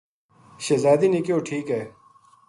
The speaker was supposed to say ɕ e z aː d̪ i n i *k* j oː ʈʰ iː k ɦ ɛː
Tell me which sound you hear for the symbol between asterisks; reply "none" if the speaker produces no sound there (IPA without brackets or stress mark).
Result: k